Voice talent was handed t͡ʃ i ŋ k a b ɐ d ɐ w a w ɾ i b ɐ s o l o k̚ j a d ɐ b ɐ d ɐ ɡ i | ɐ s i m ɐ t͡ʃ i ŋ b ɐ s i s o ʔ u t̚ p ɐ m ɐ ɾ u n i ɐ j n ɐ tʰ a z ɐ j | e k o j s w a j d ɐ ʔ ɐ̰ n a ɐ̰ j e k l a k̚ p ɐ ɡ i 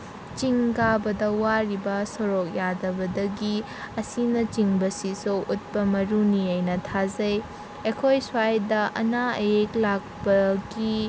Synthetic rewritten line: t͡ʃ i ŋ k a b ɐ d ɐ w a ɾ i b ɐ s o ɾ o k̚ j a d ɐ b ɐ d ɐ ɡ i | ɐ s i n ɐ t͡ʃ i ŋ b ɐ s i s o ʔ u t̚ p ɐ m ɐ ɾ u n i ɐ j n ɐ tʰ a z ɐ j | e kʰ o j s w a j d ɐ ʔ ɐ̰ n a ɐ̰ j e k l a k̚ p ɐ ɡ i